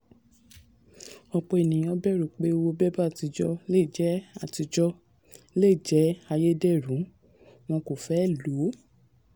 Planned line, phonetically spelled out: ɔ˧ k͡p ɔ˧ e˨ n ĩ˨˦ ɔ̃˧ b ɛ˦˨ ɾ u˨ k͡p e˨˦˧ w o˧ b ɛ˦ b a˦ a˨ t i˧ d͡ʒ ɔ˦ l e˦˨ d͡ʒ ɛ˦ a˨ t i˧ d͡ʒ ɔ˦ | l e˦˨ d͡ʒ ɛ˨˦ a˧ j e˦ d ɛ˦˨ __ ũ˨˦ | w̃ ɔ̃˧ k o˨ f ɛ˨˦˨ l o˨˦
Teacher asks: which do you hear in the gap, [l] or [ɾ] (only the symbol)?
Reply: ɾ